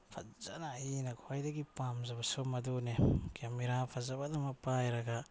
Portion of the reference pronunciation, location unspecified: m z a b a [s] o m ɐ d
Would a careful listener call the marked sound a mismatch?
no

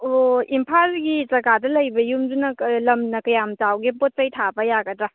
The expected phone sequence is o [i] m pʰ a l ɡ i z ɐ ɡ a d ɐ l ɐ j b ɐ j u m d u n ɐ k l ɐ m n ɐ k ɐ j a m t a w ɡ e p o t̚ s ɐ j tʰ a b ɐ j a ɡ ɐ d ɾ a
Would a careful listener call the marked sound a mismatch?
no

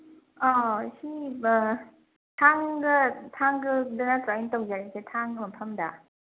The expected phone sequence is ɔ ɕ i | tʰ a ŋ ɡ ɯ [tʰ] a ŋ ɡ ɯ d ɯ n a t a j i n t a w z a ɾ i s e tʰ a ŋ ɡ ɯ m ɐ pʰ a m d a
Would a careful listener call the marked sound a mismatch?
no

